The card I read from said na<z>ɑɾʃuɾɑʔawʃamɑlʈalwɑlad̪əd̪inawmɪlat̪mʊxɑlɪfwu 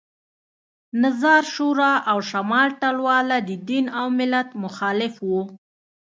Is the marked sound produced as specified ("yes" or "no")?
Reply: yes